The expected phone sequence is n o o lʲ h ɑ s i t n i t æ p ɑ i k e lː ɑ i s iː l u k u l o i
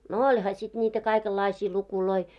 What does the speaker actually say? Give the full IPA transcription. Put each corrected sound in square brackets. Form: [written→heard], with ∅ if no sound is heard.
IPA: n o o lʲ h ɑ s i t n [i→iː] t æ [p→k] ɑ i k e lː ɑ i s iː l u k u l o i